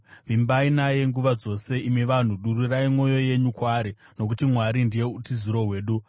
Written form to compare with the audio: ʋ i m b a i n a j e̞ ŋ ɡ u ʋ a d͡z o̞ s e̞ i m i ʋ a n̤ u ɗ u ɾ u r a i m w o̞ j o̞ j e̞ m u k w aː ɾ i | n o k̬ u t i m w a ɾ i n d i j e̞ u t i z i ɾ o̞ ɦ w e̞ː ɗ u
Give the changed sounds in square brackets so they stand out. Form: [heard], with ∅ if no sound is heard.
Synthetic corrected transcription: ʋ i m b a i n a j e̞ ŋ ɡ u ʋ a d͡z o̞ s e̞ i m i ʋ a n̤ u ɗ u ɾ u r a i m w o̞ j o̞ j e̞ [ɲ] u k w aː ɾ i | n o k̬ u t i m w a ɾ i n d i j e̞ u t i z i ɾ o̞ ɦ w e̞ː ɗ u